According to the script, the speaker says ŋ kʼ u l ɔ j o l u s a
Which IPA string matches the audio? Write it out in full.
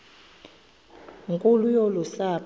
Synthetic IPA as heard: ŋ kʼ u l u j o l u s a